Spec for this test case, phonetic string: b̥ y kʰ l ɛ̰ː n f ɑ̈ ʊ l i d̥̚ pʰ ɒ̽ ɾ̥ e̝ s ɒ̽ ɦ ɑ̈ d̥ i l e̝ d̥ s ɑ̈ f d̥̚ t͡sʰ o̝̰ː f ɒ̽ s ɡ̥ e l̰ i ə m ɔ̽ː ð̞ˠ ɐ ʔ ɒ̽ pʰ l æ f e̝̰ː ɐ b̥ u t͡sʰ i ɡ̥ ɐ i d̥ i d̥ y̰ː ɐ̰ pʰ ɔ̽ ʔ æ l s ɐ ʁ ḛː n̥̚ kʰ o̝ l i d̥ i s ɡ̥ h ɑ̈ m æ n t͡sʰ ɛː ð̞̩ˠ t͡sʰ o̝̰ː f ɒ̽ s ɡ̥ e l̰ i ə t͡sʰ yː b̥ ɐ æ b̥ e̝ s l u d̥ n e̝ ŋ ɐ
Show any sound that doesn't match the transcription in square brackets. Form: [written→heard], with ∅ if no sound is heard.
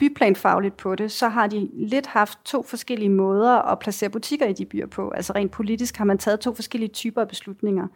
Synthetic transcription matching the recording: b̥ y [kʰ→pʰ] l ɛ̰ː n f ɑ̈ ʊ l i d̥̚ pʰ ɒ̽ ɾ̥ e̝ s ɒ̽ ɦ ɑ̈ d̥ i l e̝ d̥ [s→h] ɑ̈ f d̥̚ t͡sʰ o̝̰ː f ɒ̽ s ɡ̥ e l̰ i ə m ɔ̽ː ð̞ˠ ɐ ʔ ɒ̽ pʰ l æ [f→s] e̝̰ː ɐ b̥ u t͡sʰ i ɡ̥ ɐ i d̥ i [d̥→b̥] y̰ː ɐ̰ pʰ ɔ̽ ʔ æ l s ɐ ʁ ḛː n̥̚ [kʰ→pʰ] o̝ l i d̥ i s ɡ̥ h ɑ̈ m æ n t͡sʰ ɛː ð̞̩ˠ t͡sʰ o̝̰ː f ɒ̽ s ɡ̥ e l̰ i ə t͡sʰ yː b̥ ɐ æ b̥ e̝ s l u d̥ n e̝ ŋ ɐ